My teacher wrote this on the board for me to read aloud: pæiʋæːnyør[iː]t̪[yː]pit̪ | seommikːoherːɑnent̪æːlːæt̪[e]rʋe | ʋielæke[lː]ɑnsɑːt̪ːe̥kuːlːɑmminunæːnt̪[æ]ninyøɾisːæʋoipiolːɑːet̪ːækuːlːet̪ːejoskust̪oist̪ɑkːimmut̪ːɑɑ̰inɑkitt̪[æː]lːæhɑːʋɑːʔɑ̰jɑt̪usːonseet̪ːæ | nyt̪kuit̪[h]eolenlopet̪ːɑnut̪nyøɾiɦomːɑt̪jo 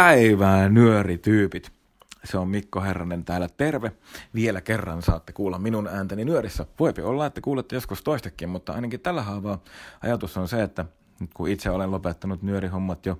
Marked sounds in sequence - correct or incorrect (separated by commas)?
incorrect, correct, correct, incorrect, correct, incorrect, incorrect